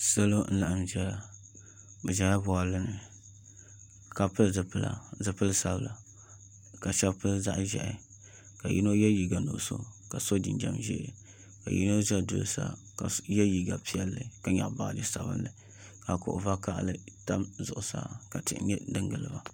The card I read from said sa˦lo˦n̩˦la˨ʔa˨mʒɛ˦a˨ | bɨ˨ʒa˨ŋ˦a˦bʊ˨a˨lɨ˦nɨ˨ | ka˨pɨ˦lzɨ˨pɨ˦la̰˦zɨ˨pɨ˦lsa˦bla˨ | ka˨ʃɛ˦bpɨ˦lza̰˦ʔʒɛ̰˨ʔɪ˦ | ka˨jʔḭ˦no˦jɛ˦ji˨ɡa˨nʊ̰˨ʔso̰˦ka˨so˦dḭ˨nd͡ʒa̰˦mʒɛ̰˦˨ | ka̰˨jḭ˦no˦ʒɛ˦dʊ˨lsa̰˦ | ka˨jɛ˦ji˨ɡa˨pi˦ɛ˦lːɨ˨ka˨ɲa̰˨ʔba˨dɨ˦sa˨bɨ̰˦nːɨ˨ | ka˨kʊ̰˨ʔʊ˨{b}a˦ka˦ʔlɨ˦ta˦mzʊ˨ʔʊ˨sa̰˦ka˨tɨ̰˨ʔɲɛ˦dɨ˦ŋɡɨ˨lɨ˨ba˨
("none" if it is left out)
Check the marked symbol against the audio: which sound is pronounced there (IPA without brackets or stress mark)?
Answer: v